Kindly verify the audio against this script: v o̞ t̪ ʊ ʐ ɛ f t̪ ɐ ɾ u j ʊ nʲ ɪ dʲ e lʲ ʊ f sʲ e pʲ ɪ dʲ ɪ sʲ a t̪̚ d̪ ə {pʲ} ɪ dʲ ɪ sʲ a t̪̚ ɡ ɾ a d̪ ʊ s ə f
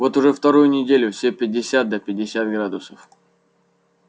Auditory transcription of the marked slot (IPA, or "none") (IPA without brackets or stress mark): pʲ